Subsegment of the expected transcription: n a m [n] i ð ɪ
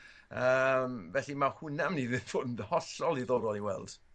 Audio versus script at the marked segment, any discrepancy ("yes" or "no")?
no